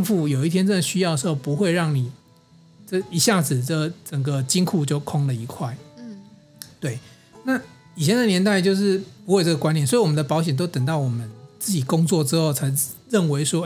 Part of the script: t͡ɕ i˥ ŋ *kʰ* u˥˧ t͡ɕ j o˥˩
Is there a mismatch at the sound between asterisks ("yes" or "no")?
no